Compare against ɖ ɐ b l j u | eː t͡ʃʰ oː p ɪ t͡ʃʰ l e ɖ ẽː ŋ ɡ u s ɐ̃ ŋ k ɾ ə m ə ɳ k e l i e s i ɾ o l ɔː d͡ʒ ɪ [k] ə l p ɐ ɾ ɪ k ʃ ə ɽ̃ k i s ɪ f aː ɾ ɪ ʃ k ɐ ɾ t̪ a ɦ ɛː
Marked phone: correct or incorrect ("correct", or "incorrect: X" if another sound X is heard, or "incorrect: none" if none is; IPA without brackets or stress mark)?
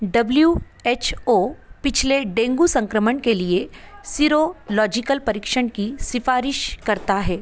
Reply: correct